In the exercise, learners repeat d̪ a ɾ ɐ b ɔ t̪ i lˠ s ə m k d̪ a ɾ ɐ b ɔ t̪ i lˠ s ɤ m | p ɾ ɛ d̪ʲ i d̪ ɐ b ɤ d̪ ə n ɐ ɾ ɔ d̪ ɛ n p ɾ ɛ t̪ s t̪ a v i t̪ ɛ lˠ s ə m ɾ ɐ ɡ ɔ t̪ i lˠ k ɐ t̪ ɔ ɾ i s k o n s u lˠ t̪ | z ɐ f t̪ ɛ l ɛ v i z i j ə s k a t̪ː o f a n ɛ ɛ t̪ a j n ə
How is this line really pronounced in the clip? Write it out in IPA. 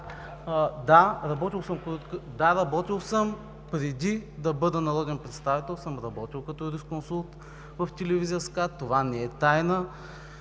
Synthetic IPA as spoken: d̪ a ɾ ɐ b ɔ t̪ i lˠ s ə m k d̪ a ɾ ɐ b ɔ t̪ i lˠ s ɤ m | p ɾ ɛ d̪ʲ i d̪ ɐ b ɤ d̪ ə n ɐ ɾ ɔ d̪ ɛ n p ɾ ɛ t̪ s t̪ a v i t̪ ɛ lˠ s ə m ɾ ɐ b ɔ t̪ i lˠ k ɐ t̪ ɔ ɾ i s k o n s u lˠ t̪ | v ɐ f t̪ ɛ l ɛ v i z i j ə s k a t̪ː o v a n ɛ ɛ t̪ a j n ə